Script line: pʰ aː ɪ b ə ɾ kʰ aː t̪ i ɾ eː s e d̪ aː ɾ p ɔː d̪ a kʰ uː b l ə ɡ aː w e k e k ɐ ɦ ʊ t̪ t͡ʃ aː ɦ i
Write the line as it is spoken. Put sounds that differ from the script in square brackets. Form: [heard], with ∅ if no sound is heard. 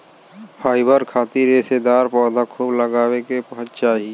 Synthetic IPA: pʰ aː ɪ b ə ɾ kʰ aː t̪ i ɾ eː s e d̪ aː ɾ p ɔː d̪ a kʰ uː b l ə ɡ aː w e k e [p] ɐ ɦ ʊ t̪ t͡ʃ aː ɦ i